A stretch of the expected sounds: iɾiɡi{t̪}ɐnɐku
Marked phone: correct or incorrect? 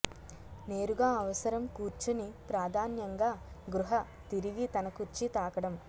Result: correct